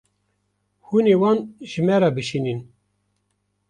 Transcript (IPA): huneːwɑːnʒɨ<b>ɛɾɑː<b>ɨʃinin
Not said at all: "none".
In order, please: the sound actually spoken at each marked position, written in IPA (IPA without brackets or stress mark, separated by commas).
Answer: m, b